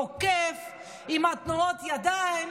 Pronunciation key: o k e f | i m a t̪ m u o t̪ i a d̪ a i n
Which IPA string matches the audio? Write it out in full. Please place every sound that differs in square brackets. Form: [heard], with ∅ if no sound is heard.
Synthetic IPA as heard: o k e f | i m a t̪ [n] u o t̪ [j] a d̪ a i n